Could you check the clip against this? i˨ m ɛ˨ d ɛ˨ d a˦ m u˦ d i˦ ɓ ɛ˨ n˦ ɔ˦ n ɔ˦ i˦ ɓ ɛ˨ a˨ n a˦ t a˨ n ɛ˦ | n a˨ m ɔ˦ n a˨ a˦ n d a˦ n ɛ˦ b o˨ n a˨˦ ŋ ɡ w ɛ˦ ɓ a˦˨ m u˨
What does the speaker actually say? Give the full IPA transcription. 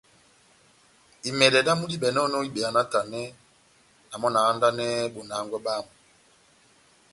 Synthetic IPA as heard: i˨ m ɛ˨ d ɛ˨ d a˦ m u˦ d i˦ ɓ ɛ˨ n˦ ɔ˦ n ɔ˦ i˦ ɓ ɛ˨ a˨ n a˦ t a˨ n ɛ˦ | n a˨ m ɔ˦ n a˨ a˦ n d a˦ n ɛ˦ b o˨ n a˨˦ ŋ ɡ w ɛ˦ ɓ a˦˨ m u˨